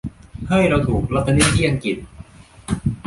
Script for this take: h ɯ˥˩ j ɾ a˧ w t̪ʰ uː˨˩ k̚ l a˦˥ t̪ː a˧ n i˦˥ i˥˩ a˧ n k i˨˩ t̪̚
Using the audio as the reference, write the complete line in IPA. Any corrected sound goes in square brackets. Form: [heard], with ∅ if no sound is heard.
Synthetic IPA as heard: h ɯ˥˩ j ɾ a˧ w t̪ʰ uː˨˩ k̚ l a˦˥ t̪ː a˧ n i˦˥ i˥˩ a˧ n k i˨˩ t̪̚